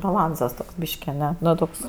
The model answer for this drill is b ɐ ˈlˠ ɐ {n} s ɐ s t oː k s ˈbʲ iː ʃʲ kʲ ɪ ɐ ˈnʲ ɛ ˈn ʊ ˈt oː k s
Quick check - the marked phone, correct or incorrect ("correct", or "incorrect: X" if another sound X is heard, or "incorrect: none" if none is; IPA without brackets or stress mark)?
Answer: correct